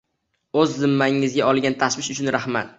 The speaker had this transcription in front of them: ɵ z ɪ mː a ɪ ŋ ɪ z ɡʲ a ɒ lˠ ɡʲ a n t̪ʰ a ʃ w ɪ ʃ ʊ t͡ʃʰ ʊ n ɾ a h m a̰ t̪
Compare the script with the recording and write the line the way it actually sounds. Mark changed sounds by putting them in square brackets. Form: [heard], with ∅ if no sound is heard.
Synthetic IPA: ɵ [zː] ɪ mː a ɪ ŋ ɪ z ɡʲ a ɒ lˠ ɡʲ a n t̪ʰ a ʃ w ɪ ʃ ʊ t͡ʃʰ ʊ n ɾ a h m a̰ t̪